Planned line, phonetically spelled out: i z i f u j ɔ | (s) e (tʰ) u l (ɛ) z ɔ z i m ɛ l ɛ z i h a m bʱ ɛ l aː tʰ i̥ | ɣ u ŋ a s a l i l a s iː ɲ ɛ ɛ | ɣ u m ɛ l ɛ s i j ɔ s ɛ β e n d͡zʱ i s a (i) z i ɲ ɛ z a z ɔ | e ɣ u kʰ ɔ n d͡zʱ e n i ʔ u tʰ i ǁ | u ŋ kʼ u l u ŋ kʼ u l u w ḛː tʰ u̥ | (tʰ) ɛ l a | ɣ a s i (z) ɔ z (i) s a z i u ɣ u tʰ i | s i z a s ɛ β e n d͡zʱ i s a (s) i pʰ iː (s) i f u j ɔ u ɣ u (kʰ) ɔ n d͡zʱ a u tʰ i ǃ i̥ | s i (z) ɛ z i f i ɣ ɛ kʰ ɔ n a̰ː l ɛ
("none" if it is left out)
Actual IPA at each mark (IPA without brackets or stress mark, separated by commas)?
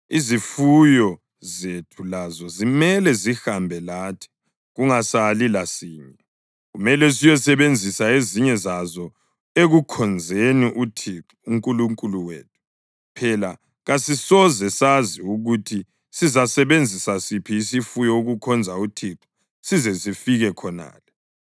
z, tʰ, a, e, pʰ, s, ɛ, s, s, kʰ, z